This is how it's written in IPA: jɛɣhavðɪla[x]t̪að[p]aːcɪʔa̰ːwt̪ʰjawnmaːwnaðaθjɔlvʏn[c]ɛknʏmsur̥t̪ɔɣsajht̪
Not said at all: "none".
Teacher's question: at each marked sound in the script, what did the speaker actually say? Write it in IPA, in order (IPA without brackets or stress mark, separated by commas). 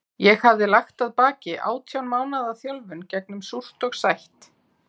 x, p, c